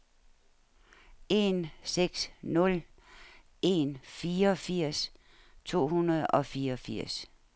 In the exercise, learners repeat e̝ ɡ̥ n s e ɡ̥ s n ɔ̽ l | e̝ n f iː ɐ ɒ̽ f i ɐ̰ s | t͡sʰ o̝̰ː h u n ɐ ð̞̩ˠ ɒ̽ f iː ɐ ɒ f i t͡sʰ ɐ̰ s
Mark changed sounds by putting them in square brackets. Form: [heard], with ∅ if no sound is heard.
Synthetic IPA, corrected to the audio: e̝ [∅] n s e ɡ̥ s n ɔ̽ l | e̝ n f iː ɐ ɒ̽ f i ɐ̰ s | t͡sʰ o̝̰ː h u n ɐ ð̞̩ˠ ɒ̽ f iː ɐ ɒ f i [∅] ɐ̰ s